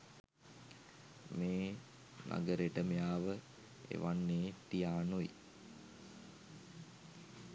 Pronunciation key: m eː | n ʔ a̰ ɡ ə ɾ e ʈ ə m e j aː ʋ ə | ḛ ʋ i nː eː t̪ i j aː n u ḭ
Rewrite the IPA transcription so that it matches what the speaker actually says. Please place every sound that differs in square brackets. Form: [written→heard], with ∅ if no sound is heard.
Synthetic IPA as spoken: m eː | n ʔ a̰ ɡ ə ɾ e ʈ ə m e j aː ʋ ə | ḛ ʋ [i→a] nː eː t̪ i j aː n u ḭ